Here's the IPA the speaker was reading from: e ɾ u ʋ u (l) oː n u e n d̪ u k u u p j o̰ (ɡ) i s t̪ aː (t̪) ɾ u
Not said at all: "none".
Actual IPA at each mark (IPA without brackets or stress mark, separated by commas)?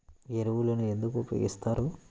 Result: l, ɡ, none